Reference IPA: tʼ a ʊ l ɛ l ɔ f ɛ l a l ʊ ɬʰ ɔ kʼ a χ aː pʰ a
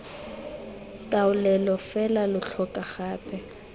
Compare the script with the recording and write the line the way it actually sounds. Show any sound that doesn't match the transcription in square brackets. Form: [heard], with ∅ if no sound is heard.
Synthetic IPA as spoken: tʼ a ʊ l ɛ l ɔ f ɛ l a l ʊ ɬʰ ɔ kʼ a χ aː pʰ [ɛ]